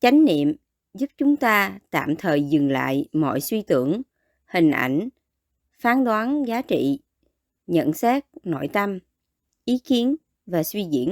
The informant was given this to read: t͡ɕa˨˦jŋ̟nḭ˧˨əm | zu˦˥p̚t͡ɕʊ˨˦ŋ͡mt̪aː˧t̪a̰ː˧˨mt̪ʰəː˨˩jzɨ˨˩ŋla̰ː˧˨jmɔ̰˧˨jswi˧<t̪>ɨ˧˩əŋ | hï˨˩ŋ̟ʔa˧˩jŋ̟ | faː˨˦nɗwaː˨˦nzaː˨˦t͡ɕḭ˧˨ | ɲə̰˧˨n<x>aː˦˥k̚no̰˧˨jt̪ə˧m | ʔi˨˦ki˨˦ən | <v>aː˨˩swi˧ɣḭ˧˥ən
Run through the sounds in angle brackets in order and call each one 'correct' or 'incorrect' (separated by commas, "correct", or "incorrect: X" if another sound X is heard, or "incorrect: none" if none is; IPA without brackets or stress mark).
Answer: correct, incorrect: s, correct